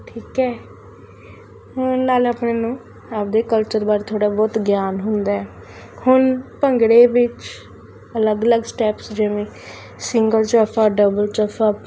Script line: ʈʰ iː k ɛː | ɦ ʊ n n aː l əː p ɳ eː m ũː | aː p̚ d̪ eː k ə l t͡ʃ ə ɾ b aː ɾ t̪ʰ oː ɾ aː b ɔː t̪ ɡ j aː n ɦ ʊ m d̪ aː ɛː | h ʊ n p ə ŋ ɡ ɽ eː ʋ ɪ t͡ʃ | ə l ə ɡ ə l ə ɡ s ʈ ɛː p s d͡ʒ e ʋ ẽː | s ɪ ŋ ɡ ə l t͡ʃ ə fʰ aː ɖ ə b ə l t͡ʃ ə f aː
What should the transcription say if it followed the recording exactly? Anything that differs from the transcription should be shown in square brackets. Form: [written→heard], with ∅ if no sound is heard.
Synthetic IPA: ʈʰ iː k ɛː | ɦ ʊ n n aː l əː p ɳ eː [m→n] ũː | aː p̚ d̪ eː k ə l t͡ʃ ə ɾ b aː ɾ t̪ʰ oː [ɾ→ɽ] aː b ɔː t̪ ɡ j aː n ɦ ʊ [m→n] d̪ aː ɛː | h ʊ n p ə ŋ ɡ ɽ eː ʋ ɪ t͡ʃ | ə l ə ɡ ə l ə ɡ s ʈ ɛː p s d͡ʒ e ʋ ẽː | s ɪ ŋ ɡ ə l t͡ʃ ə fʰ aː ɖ ə b ə l t͡ʃ ə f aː